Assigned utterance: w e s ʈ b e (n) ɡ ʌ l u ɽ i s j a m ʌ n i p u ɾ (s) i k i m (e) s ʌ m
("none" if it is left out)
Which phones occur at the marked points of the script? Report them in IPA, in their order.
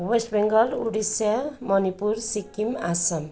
ŋ, s, a

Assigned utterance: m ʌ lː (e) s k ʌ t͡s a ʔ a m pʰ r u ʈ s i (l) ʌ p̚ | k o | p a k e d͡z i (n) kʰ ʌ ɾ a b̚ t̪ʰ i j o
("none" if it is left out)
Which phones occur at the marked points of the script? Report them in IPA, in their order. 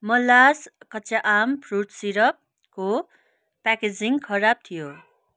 a, ɾ, ŋ

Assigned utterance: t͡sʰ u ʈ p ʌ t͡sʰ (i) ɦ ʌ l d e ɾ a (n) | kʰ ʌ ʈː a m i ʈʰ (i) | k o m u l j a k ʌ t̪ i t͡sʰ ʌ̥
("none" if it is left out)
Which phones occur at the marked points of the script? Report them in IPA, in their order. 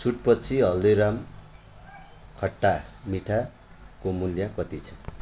i, m, a

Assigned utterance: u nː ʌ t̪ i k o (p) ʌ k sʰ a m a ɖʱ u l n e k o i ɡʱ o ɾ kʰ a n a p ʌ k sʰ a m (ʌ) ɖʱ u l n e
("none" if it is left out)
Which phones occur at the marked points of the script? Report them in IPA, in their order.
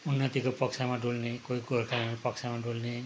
p, a

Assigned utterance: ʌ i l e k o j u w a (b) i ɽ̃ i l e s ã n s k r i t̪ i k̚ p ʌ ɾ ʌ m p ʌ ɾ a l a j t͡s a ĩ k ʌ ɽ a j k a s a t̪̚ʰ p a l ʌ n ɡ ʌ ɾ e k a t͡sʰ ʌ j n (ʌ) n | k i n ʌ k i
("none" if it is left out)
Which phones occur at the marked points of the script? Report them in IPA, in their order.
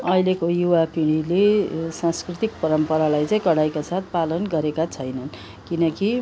p, ʌ

